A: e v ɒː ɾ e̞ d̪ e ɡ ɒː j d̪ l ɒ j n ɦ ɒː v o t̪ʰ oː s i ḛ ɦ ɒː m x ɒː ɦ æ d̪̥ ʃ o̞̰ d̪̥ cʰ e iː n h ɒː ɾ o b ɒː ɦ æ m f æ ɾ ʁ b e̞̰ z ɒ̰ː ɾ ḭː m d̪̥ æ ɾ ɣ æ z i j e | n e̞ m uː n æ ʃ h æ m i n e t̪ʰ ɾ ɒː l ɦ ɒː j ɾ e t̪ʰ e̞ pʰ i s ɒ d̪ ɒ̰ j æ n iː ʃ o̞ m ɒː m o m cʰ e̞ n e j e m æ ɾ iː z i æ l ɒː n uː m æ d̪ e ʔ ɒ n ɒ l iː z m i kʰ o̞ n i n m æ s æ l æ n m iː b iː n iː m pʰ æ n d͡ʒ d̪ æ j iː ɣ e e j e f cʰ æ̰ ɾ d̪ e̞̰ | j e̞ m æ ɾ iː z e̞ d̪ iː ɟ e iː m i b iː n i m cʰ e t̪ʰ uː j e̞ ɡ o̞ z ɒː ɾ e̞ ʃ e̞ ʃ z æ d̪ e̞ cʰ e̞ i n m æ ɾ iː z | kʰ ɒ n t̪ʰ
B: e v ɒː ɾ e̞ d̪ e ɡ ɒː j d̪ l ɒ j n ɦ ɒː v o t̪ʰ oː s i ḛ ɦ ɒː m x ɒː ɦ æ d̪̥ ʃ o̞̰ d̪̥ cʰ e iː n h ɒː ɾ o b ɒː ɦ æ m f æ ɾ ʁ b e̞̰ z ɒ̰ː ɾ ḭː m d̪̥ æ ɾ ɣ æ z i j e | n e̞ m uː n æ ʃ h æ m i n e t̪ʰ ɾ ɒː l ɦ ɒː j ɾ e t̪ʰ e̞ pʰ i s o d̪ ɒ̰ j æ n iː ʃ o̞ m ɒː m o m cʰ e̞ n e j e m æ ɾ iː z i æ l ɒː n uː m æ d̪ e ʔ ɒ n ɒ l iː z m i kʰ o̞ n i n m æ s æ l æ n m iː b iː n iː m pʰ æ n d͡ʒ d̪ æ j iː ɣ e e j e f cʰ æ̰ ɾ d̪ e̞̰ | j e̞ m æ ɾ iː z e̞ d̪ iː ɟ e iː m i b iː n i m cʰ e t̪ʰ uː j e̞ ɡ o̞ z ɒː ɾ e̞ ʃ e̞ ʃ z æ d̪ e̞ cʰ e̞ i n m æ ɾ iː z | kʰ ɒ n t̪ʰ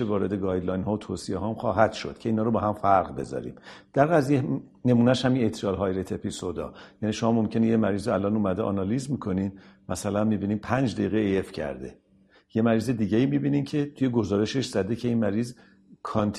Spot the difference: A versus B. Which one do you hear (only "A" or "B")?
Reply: B